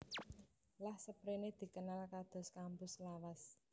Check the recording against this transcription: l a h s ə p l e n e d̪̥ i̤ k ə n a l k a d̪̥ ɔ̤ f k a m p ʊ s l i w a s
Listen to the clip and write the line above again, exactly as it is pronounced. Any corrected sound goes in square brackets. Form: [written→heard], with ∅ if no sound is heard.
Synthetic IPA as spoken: l a h s ə p [l→ɾ] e n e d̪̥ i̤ k ə n a l k a d̪̥ ɔ̤ [f→s] k a m p ʊ s l [i→a] w a s